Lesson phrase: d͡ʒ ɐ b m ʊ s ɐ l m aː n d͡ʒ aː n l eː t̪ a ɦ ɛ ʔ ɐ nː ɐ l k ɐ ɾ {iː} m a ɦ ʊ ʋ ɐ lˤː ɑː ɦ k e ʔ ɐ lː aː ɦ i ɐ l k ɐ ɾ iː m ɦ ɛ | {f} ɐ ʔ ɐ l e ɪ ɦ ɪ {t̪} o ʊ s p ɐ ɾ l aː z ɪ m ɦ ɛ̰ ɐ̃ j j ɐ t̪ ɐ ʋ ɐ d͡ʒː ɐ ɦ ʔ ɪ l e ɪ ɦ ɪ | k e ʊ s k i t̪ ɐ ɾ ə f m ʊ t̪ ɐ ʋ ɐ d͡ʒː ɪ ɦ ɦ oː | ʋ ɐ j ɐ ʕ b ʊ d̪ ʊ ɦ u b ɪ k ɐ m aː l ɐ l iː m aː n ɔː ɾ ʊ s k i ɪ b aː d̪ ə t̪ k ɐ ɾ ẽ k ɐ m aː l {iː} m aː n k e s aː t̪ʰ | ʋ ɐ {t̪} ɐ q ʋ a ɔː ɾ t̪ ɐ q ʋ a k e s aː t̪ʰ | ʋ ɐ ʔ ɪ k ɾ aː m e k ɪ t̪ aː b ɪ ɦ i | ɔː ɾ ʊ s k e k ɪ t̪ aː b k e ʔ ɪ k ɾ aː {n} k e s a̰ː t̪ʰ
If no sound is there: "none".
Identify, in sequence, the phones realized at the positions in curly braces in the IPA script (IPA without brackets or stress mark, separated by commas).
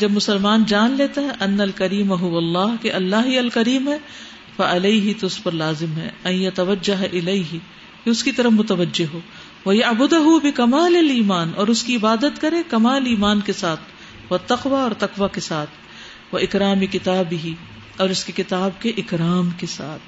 iː, f, t̪, iː, t̪, m